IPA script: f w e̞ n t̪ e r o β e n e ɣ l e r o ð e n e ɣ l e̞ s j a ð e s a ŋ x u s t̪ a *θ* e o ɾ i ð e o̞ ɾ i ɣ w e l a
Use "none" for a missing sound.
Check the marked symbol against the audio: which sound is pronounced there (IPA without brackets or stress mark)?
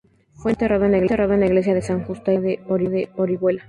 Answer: ð